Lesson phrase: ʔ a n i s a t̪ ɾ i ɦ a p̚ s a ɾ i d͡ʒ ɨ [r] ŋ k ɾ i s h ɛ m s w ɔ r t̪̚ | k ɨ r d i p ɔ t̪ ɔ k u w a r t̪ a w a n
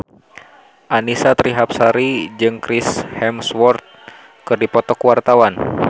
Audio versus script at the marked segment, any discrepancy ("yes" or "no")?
yes